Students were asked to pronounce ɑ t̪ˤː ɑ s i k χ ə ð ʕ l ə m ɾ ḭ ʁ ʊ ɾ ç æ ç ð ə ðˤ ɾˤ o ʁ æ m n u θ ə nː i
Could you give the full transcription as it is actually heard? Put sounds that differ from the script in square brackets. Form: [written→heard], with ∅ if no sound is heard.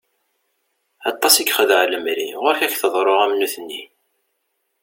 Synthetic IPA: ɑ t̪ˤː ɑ s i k χ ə ð ʕ l ə m ɾ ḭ ʁ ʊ ɾ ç æ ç [ð→θ] ə ðˤ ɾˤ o ʁ æ m n u θ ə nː i